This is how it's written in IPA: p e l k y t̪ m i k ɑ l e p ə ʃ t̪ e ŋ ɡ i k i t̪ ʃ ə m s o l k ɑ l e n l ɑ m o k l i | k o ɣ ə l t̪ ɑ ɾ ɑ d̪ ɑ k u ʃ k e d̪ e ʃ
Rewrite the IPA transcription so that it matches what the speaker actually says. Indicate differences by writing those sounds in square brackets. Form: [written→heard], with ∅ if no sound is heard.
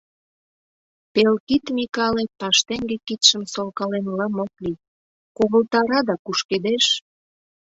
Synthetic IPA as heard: p e l k [y→i] t̪ m i k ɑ l e p [ə→ɑ] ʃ t̪ e ŋ ɡ [i→e] k i t̪ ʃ ə m s o l k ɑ l e n l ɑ m o k l i | k o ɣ ə l t̪ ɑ ɾ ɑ d̪ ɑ k u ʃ k e d̪ e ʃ